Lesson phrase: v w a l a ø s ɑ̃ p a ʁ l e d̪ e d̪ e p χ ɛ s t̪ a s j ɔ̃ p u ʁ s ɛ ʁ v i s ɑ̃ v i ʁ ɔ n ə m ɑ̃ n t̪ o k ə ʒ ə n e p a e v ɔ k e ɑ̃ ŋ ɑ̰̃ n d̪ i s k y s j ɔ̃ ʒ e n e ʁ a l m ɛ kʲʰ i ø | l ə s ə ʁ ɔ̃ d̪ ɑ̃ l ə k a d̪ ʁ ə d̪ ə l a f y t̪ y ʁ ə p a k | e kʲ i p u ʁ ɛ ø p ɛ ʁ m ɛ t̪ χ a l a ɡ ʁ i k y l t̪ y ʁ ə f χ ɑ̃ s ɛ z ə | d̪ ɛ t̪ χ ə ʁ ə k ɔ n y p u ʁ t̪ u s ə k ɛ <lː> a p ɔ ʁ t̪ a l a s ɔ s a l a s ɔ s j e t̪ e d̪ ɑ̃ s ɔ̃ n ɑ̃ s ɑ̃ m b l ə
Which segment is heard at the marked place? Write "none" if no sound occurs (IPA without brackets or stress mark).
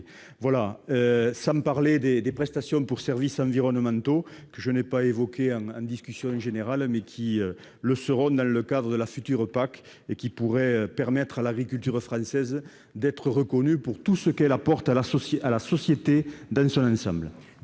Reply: l